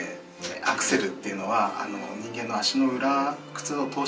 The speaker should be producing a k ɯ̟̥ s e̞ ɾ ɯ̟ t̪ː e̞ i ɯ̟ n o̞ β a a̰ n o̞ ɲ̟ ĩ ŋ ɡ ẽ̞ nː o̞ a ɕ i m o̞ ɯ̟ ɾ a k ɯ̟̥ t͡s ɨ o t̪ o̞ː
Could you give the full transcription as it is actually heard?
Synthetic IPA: a k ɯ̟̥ s e̞ ɾ ɯ̟ t̪ː e̞ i ɯ̟ n o̞ β a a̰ n o̞ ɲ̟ ĩ ŋ ɡ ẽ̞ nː o̞ a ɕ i n o̞ ɯ̟ ɾ a k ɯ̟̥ t͡s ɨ o t̪ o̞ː